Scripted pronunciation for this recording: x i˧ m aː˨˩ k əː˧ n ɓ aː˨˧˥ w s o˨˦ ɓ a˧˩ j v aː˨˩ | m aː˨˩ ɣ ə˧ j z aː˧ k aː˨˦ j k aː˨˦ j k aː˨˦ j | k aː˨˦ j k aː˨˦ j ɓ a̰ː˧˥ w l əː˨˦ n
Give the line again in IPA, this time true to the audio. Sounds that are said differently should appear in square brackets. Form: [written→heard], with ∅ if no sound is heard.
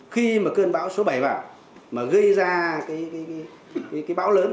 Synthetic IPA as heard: x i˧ m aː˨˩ k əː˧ n ɓ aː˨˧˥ w s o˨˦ ɓ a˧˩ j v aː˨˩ | m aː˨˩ ɣ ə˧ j z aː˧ k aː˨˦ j k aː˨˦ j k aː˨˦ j | k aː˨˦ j k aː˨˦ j ɓ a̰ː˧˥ w l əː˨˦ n